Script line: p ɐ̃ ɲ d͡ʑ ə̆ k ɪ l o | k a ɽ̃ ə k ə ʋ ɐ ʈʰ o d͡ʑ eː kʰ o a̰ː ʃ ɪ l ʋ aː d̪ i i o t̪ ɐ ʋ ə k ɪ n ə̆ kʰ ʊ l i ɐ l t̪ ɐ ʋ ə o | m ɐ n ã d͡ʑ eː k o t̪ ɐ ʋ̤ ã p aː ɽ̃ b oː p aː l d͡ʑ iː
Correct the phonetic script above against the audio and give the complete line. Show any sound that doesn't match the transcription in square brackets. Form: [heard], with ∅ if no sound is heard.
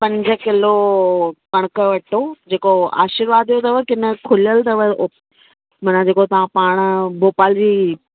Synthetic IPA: p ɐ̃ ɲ d͡ʑ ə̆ k ɪ l o | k [ɐ] ɽ̃ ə k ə ʋ ɐ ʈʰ o d͡ʑ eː [k] o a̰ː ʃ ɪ [ɾ] ʋ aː d̪ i [j] o t̪ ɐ ʋ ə k ɪ n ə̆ kʰ ʊ l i [ə] l t̪ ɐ ʋ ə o | m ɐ n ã d͡ʑ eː k o t̪ ɐ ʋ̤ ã p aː ɽ̃ b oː p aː l d͡ʑ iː

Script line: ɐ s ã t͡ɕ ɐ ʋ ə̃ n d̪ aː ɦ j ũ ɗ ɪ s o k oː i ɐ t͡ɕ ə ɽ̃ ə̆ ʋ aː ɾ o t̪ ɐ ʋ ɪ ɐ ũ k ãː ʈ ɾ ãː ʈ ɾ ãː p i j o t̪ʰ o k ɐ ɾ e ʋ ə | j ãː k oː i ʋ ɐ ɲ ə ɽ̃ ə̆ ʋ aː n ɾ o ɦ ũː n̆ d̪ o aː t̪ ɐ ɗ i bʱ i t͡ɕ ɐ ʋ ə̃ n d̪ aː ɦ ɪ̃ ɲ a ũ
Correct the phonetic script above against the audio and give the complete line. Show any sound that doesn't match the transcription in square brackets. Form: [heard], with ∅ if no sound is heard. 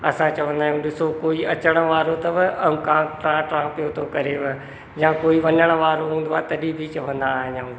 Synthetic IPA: ɐ s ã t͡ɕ ɐ ʋ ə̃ n d̪ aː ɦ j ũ ɗ ɪ s o k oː i ɐ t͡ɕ ə ɽ̃ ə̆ ʋ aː ɾ o t̪ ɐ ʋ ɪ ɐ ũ k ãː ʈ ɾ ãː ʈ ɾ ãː p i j o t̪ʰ o k ɐ ɾ e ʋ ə | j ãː k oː i ʋ ɐ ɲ ə ɽ̃ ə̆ ʋ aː [∅] ɾ o ɦ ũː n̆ d̪ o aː t̪ ɐ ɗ i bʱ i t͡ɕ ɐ ʋ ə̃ n d̪ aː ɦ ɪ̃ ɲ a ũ

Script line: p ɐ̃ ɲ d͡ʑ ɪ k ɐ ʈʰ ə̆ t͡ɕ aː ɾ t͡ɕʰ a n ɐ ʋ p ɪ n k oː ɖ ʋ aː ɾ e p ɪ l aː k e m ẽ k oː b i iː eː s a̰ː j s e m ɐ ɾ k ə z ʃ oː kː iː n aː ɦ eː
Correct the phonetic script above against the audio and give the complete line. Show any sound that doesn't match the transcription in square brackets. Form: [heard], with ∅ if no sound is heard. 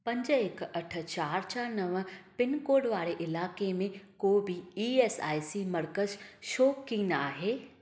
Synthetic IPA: p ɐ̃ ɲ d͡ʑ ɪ k ɐ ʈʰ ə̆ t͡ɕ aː ɾ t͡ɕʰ a n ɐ ʋ p ɪ n k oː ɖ ʋ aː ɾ e [ʔ] ɪ l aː k e m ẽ k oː b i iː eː s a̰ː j s [i] m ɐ ɾ k ə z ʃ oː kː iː n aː ɦ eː

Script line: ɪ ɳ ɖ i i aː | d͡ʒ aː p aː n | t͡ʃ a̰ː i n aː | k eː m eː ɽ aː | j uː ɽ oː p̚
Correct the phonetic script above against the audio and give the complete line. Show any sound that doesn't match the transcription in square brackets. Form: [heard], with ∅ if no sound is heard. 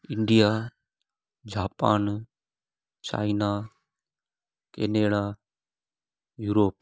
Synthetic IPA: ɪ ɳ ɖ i [j] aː | d͡ʒ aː p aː n | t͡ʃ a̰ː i n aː | k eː [n] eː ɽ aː | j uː [ɾ] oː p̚

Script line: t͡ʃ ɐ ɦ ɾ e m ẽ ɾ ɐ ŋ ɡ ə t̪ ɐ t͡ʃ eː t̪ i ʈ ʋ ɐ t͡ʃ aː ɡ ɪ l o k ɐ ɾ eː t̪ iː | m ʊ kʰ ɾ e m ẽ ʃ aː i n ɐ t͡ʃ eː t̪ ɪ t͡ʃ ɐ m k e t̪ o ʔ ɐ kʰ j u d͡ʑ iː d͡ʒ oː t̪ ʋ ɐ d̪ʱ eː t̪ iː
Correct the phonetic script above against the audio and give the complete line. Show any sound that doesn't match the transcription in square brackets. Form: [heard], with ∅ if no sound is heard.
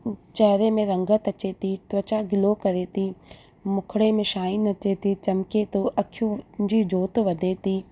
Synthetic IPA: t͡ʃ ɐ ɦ ɾ e m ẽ ɾ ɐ ŋ ɡ ə t̪ ɐ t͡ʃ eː t̪ i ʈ ʋ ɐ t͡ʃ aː ɡ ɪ l o k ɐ ɾ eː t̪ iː | m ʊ kʰ [ɽ] e m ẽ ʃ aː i n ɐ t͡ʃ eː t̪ [i] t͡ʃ ɐ m k e t̪ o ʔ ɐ kʰ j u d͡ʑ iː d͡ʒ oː t̪ ʋ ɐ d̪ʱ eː t̪ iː

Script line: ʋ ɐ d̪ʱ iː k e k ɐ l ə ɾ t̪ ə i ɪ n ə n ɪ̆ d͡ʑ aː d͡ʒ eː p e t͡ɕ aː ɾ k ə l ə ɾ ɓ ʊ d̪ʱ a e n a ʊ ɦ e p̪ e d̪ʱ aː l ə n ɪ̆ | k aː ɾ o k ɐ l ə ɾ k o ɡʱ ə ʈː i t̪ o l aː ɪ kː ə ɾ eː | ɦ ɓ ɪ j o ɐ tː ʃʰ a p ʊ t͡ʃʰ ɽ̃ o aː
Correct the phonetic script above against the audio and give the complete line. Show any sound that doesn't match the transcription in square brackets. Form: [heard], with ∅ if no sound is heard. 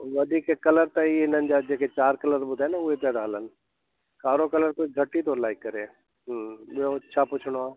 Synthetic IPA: ʋ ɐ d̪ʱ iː k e k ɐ l ə ɾ t̪ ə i ɪ n ə n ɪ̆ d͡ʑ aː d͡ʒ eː [k] e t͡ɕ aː ɾ k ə l ə ɾ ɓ ʊ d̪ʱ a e n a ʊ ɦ e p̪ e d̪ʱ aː l ə n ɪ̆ | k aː ɾ o k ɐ l ə ɾ k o ɡʱ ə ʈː i t̪ o l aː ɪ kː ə ɾ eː | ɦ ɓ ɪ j o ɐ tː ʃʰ a p ʊ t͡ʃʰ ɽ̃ o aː

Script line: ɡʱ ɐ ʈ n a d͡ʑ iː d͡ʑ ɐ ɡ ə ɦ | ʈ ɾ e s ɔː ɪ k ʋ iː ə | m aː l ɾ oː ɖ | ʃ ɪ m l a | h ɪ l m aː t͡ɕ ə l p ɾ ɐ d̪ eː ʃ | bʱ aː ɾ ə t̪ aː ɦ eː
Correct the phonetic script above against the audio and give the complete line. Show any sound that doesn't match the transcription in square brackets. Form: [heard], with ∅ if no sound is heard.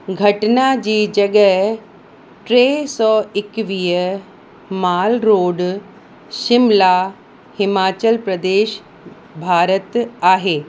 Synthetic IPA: ɡʱ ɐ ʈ n a d͡ʑ iː d͡ʑ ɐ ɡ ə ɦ | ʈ ɾ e s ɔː ɪ k ʋ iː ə | m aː l ɾ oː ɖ | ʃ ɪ m l a | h ɪ [∅] m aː t͡ɕ ə l p ɾ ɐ d̪ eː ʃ | bʱ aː ɾ ə t̪ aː ɦ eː

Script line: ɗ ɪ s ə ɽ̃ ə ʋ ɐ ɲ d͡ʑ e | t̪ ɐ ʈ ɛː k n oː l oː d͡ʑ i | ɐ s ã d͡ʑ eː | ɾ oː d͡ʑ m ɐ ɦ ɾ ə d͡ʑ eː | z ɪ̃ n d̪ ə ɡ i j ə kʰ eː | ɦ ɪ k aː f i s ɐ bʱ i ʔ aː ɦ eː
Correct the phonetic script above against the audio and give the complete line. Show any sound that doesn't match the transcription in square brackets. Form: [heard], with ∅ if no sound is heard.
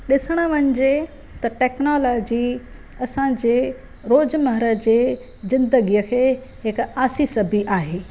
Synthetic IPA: ɗ ɪ s ə ɽ̃ ə ʋ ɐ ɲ d͡ʑ e | t̪ ɐ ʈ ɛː k n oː l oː d͡ʑ i | ɐ s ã d͡ʑ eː | ɾ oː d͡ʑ m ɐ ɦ ɾ ə d͡ʑ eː | z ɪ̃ n d̪ ə ɡ i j ə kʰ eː | ɦ ɪ k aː [s] i s ɐ bʱ i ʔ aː ɦ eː

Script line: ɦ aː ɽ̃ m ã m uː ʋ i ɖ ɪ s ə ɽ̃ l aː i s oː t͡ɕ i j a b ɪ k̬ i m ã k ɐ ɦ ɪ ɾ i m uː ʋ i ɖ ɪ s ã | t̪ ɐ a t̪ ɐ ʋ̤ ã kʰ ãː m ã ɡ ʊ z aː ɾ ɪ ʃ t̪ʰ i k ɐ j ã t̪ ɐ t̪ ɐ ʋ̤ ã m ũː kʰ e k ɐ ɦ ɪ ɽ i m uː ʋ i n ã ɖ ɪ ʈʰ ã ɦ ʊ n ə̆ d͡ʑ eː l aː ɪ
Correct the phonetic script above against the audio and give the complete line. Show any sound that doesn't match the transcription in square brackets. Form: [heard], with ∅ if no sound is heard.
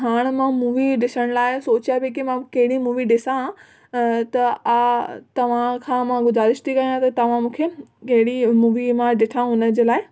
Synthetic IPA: ɦ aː ɽ̃ m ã m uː ʋ i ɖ ɪ s ə ɽ̃ l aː [ɪ] s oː t͡ɕ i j a b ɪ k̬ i m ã k ɐ ɦ ɪ [ɽ] i m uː ʋ i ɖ ɪ s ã | t̪ ɐ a t̪ ɐ ʋ̤ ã kʰ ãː m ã ɡ ʊ z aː ɾ ɪ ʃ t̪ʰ i k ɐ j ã t̪ ɐ t̪ ɐ ʋ̤ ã m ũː kʰ e k ɐ ɦ ɪ ɽ i m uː ʋ i [m] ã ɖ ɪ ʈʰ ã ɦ ʊ n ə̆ d͡ʑ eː l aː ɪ

